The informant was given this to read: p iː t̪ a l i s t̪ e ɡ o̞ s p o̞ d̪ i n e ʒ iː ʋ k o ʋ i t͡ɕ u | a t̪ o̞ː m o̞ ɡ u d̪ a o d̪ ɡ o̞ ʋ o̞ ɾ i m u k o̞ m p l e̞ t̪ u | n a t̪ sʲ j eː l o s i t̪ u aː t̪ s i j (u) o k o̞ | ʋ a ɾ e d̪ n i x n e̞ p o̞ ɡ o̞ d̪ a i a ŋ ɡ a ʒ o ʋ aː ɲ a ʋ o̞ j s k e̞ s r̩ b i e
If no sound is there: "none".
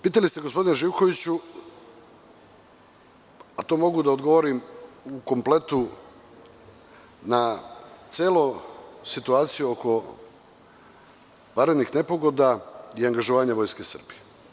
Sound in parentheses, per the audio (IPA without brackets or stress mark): u